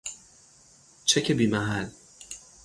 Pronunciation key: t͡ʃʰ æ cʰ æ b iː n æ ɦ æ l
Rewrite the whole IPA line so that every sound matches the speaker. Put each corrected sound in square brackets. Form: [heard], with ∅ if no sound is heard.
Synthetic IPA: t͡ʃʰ [e] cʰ [e] b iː [m] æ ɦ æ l